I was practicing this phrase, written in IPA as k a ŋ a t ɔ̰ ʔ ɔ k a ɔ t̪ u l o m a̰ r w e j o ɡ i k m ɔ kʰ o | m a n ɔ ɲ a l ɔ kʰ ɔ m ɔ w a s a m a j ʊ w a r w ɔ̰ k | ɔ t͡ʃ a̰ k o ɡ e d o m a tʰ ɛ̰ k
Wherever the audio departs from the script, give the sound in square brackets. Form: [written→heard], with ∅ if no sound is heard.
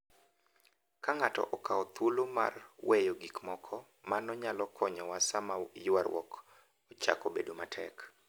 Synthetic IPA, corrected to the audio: k a ŋ a t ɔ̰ ʔ ɔ k a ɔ t̪ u l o m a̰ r w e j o ɡ i k m ɔ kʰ [o→ɔ] | m a n ɔ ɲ a l ɔ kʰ ɔ [m→ɲ] ɔ w a s a m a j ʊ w a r w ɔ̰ k | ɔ t͡ʃ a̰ k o [ɡ→b] e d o m a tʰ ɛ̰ k